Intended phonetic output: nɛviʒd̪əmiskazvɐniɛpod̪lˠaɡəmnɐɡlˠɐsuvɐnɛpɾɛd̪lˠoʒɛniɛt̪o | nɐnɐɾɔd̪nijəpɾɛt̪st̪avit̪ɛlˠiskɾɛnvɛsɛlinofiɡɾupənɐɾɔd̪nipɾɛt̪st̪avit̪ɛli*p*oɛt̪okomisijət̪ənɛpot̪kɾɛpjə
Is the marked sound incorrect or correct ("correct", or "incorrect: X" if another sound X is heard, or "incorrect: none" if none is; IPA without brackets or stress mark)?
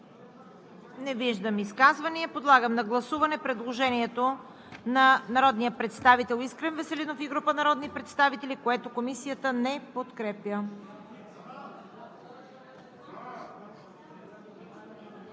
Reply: incorrect: k